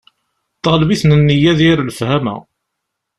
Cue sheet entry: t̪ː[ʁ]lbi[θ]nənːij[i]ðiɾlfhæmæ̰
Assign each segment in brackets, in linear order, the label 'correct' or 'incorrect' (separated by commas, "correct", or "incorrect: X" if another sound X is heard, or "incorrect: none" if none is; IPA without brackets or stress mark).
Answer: correct, correct, incorrect: æ